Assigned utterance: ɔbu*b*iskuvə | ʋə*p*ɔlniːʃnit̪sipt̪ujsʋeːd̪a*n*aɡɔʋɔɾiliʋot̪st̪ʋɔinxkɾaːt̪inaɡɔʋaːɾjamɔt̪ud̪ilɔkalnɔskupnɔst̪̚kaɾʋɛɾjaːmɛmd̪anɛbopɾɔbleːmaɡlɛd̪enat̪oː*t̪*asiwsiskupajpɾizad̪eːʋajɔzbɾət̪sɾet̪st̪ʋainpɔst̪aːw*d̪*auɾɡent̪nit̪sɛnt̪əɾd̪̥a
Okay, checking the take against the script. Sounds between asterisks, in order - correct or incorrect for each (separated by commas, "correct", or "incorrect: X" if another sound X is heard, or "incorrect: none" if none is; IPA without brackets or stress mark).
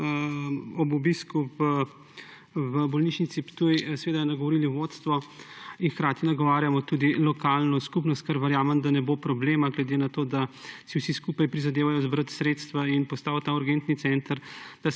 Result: correct, incorrect: b, correct, incorrect: d̪, incorrect: t̪